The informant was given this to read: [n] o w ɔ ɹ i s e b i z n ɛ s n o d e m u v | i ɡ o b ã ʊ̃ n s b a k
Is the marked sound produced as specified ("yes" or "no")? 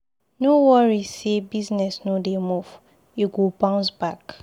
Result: yes